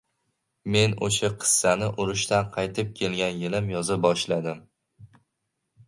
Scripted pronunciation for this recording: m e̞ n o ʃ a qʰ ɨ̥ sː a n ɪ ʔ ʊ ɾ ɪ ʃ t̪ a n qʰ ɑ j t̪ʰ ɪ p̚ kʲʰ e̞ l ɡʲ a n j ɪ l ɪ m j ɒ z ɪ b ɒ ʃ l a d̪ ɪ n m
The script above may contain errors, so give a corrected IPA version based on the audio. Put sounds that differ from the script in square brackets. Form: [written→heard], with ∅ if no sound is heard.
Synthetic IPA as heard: m e̞ n o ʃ a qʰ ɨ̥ sː a n ɪ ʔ ʊ ɾ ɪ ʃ t̪ a n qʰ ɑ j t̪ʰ ɪ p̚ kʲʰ e̞ l ɡʲ a n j ɪ l ɪ m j ɒ z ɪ b ɒ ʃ l a d̪ ɪ [n→∅] m